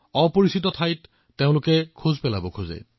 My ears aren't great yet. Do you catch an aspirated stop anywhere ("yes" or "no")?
yes